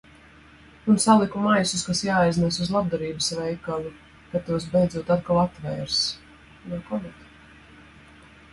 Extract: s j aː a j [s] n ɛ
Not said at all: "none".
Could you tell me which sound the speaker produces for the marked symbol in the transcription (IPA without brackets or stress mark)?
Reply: z